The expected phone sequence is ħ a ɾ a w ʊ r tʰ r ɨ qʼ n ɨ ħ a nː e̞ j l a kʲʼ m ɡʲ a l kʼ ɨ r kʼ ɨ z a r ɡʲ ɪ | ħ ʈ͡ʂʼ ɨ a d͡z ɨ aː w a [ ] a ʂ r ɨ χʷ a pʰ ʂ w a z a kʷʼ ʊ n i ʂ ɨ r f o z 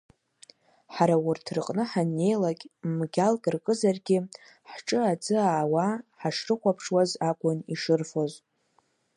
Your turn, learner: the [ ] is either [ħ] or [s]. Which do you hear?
ħ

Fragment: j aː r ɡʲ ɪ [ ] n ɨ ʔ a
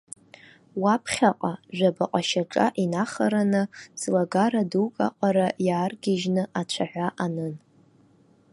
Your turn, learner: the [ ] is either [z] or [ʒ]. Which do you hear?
ʒ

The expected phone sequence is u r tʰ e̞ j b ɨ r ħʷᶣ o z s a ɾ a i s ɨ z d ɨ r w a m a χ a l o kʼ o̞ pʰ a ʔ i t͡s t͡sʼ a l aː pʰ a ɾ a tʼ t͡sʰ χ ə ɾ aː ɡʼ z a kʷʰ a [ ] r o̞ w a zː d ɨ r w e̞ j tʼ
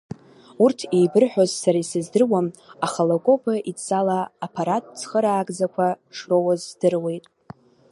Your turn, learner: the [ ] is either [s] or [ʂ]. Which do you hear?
ʂ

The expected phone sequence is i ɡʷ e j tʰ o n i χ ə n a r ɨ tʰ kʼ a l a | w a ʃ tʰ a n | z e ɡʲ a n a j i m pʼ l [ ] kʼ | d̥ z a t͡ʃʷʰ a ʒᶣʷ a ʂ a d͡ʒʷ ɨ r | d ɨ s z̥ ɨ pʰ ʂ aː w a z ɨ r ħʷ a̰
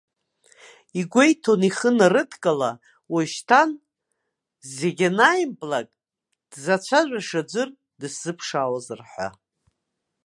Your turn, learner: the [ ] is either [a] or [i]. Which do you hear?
a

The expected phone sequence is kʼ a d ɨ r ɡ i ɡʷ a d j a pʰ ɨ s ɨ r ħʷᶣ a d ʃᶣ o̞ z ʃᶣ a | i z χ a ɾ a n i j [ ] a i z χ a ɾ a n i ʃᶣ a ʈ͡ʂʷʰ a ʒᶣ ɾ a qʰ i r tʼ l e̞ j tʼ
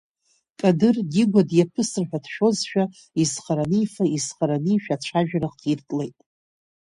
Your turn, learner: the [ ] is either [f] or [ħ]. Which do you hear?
f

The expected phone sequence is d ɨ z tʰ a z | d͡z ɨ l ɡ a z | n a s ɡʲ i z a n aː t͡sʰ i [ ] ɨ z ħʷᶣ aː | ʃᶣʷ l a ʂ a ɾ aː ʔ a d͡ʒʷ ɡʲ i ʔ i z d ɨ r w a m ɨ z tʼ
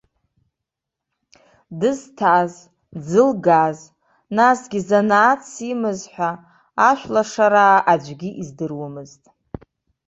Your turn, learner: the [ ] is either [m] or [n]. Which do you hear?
m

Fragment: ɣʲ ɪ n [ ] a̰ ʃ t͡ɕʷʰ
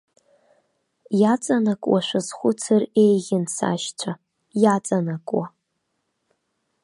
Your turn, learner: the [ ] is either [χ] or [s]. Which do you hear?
s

